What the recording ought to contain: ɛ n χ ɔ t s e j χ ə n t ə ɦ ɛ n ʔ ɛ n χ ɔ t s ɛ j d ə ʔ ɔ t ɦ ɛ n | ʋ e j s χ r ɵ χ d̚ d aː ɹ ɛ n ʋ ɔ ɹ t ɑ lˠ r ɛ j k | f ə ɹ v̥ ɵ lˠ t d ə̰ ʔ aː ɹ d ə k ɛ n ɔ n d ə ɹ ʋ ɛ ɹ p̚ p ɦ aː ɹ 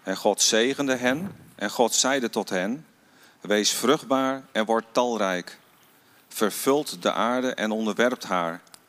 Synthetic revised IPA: ɛ n χ ɔ t s e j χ ə n d ə ɦ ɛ n ʔ ɛ n χ ɔ t s ɛ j d ə t ɔ t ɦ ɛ n | ʋ e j s f r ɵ χ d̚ b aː ɹ ɛ n ʋ ɔ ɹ t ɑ lˠ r ɛ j k | f ə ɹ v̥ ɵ lˠ t d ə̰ ʔ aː ɹ d ə ʔ ɛ n ɔ n d ə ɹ ʋ ɛ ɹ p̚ t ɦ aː ɹ